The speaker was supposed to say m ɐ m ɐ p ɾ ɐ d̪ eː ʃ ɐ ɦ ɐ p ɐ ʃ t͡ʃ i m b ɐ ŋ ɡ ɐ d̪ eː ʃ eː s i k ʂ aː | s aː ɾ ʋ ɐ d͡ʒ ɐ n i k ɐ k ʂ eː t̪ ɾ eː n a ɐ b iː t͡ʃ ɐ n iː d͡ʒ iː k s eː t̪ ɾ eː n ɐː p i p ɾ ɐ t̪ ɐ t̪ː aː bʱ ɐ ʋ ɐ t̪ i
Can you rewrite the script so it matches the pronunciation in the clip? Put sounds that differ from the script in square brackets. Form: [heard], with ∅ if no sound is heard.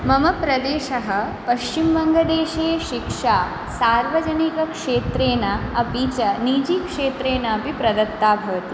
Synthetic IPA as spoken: m ɐ m ɐ p ɾ ɐ d̪ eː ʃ ɐ ɦ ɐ p ɐ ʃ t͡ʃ i m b ɐ ŋ ɡ ɐ d̪ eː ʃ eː [ʃ] i k ʂ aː | s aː ɾ ʋ ɐ d͡ʒ ɐ n i k ɐ k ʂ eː t̪ ɾ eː n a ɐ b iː t͡ʃ ɐ n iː d͡ʒ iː k [ʂ] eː t̪ ɾ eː n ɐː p i p ɾ ɐ [d̪] ɐ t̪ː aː bʱ ɐ ʋ ɐ t̪ i